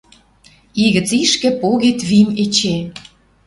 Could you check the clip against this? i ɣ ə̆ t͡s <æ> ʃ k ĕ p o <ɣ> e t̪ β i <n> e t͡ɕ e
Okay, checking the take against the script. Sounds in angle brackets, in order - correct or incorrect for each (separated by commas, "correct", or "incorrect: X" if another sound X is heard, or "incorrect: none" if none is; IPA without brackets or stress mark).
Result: incorrect: i, correct, incorrect: m